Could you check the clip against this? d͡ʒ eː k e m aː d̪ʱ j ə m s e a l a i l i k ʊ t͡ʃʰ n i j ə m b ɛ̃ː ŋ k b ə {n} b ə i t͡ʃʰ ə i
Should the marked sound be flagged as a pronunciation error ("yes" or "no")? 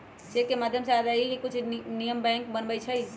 no